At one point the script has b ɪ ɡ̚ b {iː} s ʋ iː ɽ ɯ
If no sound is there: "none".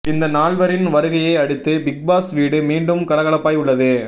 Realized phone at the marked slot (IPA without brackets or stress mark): aː